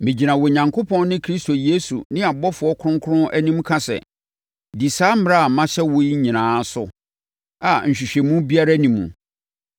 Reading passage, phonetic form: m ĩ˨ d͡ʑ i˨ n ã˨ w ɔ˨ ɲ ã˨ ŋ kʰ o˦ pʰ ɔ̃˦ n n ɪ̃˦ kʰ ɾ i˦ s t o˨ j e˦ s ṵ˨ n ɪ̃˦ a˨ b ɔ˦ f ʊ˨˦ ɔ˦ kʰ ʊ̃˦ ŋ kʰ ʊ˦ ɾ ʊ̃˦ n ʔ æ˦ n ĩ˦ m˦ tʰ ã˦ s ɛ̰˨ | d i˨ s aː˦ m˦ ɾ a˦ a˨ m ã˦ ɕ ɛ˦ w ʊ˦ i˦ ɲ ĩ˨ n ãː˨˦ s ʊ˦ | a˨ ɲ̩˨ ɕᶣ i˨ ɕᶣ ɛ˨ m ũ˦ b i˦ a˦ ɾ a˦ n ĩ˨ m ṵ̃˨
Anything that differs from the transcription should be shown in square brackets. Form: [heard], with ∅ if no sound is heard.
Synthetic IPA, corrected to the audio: m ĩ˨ d͡ʑ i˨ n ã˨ w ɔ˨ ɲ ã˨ ŋ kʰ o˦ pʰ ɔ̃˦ n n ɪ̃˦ kʰ ɾ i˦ s t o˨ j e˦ s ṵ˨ n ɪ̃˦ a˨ b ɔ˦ f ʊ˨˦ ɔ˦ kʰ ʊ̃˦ ŋ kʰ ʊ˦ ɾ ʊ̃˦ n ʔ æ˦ n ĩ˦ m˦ [kʰ] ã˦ s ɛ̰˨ | d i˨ s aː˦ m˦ ɾ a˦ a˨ m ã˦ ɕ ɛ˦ w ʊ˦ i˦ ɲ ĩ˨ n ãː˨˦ s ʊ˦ | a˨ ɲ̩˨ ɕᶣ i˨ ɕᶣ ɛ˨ m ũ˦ b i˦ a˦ ɾ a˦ n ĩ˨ m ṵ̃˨